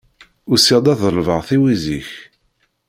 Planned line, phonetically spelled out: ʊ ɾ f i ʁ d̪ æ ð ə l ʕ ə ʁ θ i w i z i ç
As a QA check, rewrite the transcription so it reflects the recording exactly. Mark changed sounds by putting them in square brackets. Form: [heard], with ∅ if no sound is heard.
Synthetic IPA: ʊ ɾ [s] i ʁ d̪ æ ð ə l [v] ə ʁ θ i w i z i ç

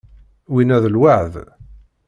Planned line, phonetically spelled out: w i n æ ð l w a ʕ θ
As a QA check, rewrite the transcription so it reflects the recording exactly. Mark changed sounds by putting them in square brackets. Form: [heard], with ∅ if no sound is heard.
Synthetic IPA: w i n æ ð l w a ʕ [ð]

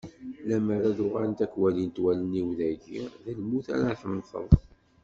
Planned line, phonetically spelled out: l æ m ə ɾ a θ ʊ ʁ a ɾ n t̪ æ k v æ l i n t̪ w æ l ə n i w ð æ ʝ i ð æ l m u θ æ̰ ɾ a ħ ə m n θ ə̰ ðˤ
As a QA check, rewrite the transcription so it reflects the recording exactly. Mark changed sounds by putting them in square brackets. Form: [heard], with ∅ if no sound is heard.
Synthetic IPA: l æ m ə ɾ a [ð] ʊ ʁ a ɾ n t̪ æ k [w] æ l i n t̪ w æ l ə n i w ð æ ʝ i ð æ l m u θ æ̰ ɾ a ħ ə m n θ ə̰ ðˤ

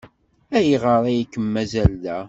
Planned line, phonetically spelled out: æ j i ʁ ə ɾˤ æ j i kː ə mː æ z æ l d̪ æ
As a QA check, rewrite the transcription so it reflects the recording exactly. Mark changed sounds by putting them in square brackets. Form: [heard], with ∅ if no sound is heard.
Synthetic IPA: æ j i ʁ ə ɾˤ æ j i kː ə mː æ z æ l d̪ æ

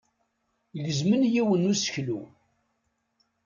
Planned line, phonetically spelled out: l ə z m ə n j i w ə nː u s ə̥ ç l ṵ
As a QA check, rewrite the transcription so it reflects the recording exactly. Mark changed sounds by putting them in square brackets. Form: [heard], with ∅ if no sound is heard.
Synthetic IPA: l ə z m ə n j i w ə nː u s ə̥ ç l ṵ

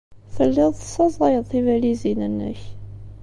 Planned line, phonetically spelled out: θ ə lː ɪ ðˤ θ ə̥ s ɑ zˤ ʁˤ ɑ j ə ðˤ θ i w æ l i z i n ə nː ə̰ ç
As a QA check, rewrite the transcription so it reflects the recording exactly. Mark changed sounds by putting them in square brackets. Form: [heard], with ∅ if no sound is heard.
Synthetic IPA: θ ə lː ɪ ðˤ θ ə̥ s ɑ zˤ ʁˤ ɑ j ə ðˤ θ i [v] æ l i z i n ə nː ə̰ ç

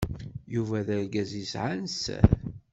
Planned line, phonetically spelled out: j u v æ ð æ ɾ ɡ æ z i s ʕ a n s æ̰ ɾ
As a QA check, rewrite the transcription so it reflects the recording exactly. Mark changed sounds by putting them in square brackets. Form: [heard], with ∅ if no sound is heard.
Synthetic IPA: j u v æ ð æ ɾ ɡ æ z i s ʕ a n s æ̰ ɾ

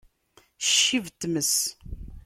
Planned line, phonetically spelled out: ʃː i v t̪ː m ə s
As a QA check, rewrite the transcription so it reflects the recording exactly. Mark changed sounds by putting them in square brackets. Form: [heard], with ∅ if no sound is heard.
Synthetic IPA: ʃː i v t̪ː m ə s

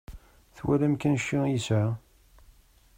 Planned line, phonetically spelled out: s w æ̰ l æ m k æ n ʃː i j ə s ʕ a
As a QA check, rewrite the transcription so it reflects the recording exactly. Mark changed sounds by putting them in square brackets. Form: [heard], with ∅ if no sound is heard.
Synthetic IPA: [θ] w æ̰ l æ m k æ n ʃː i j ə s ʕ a

